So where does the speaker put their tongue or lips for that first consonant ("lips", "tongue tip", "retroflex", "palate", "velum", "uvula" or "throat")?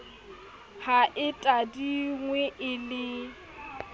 throat